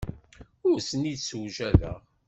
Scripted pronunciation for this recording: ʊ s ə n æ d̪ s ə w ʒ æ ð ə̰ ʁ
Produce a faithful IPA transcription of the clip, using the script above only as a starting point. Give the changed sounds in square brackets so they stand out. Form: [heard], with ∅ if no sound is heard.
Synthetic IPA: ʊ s ə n [i] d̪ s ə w ʒ æ ð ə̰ ʁ